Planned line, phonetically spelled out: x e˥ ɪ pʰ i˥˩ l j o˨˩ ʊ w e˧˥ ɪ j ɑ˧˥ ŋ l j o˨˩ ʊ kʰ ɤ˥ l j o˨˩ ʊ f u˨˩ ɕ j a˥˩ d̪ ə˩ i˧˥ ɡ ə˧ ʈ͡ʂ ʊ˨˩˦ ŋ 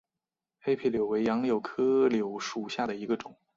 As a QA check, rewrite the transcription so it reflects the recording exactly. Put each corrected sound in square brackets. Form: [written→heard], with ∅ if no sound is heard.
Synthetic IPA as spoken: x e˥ ɪ pʰ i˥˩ l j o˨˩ ʊ w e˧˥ ɪ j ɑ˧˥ ŋ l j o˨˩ ʊ kʰ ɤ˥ l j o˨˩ ʊ [f→ʂ] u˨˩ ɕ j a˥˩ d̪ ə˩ i˧˥ ɡ ə˧ ʈ͡ʂ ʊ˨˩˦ ŋ

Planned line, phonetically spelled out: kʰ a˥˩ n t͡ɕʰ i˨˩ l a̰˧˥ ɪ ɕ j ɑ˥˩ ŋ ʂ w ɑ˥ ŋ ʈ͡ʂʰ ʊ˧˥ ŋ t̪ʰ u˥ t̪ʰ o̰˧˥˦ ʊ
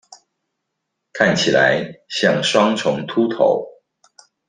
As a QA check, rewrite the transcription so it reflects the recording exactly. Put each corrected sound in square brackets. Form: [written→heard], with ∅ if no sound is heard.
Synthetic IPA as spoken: kʰ a˥˩ n t͡ɕʰ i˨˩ l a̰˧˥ ɪ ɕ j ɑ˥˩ ŋ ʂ w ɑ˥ ŋ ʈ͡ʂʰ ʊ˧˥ ŋ t̪ʰ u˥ t̪ʰ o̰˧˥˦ ʊ

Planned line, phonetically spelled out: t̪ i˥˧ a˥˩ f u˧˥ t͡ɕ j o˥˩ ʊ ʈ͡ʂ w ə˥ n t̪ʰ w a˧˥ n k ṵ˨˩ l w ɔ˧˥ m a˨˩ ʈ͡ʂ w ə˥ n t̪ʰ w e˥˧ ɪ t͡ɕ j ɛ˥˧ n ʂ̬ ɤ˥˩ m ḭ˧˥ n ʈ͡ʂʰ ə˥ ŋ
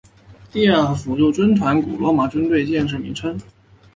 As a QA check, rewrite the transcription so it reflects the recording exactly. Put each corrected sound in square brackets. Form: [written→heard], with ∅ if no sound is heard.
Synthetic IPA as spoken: t̪ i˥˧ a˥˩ f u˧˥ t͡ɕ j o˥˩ ʊ ʈ͡ʂ w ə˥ n t̪ʰ w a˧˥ n k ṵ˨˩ l w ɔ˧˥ m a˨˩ ʈ͡ʂ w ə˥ n [t̪ʰ→t̪] w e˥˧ ɪ t͡ɕ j ɛ˥˧ n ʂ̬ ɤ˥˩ m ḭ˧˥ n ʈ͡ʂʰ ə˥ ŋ

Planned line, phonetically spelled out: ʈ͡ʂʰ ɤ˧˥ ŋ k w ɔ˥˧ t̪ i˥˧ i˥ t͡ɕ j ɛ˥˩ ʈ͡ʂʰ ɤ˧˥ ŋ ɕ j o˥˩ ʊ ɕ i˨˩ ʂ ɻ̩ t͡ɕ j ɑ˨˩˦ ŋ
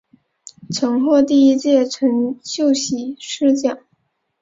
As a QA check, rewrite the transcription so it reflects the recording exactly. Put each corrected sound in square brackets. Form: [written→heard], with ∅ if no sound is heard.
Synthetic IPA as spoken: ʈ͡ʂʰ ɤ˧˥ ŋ [k→x] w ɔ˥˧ t̪ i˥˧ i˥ t͡ɕ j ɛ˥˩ ʈ͡ʂʰ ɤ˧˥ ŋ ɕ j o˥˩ ʊ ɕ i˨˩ ʂ ɻ̩ t͡ɕ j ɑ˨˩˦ ŋ

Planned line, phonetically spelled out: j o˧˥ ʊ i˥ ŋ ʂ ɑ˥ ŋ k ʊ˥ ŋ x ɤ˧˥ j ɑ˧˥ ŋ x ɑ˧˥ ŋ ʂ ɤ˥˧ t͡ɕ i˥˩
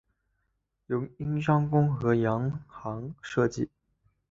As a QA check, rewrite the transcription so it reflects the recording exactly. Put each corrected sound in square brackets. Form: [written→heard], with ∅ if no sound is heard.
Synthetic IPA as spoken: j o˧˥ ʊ i˥ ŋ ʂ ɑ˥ ŋ k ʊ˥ ŋ x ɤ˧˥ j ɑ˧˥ ŋ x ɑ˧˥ ŋ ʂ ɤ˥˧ t͡ɕ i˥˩

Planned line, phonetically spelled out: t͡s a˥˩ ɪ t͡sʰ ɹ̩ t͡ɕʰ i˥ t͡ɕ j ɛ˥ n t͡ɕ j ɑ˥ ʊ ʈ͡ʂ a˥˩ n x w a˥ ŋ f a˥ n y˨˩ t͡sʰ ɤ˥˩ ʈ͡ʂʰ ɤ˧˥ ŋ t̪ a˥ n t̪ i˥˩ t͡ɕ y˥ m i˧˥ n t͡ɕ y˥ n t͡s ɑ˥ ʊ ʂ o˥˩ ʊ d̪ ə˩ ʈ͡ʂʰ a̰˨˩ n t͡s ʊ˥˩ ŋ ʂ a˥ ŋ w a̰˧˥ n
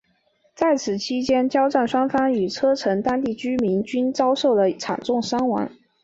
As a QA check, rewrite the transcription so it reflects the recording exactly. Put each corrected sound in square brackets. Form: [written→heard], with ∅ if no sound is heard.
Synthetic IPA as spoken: t͡s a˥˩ ɪ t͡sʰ ɹ̩ t͡ɕʰ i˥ t͡ɕ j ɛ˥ n t͡ɕ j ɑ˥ ʊ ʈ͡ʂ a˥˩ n [x→ʂ] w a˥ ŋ f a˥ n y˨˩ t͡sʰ [ɤ˥˩→ɤ˥] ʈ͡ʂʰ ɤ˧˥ ŋ t̪ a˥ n t̪ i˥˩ t͡ɕ y˥ m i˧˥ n t͡ɕ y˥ n t͡s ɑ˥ ʊ ʂ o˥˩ ʊ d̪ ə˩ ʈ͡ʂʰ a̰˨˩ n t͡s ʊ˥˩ ŋ ʂ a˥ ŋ w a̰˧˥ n

